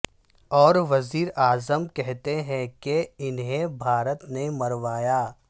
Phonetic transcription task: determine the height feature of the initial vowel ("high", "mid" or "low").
mid